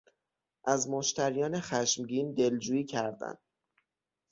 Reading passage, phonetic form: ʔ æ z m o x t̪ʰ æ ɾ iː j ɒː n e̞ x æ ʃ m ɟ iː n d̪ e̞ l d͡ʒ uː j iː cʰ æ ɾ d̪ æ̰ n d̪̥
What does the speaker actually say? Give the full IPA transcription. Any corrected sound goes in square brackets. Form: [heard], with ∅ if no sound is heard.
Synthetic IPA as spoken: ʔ æ z m o [ʃ] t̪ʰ æ ɾ [i] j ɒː n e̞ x æ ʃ m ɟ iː n d̪ e̞ l d͡ʒ uː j iː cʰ æ ɾ d̪ æ̰ n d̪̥